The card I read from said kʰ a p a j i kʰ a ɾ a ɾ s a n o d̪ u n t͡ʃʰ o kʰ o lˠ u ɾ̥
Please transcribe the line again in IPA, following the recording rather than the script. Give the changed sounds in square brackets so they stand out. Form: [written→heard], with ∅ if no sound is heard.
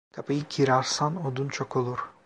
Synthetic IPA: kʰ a p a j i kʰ [a→i] ɾ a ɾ s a n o d̪ u n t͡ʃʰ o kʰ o lˠ u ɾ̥